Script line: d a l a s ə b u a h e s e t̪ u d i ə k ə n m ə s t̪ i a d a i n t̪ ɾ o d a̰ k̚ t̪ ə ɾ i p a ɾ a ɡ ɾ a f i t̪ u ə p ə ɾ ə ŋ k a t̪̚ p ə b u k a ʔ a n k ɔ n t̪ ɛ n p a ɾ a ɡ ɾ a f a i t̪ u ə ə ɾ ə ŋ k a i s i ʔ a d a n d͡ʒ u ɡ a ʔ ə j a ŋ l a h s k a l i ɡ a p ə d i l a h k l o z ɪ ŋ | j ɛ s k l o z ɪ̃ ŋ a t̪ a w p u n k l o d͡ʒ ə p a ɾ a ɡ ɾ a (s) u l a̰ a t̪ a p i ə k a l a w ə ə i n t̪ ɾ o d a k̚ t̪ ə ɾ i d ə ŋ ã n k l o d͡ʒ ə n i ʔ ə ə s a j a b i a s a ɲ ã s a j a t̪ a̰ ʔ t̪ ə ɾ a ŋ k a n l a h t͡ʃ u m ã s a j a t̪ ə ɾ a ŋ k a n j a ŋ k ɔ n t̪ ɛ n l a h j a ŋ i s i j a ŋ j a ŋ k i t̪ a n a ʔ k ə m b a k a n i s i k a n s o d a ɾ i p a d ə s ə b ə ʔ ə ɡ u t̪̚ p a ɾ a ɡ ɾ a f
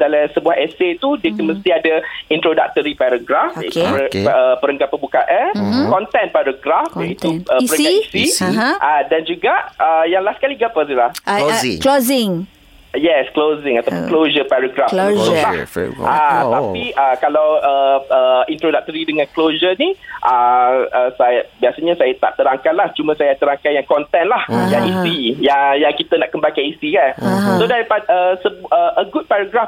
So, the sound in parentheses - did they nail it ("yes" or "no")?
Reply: no